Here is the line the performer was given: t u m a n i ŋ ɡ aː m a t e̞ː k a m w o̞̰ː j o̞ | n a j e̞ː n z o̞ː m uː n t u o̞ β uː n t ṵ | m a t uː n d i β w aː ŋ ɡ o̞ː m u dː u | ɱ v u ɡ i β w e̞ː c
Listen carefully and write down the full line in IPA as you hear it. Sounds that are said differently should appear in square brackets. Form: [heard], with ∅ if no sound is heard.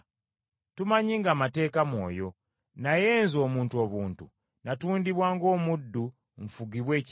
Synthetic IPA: t u m a [ɲ] i ŋ ɡ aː m a t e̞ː k a m w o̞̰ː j o̞ | n a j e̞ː n z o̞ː m uː n t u o̞ β uː n t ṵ | [n] a t uː n d i β w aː ŋ ɡ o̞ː m u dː u | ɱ [f] u ɡ i β w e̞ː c